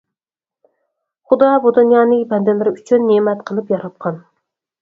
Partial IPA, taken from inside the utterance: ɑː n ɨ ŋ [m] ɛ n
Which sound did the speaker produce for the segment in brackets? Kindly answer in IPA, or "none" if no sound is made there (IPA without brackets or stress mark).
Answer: b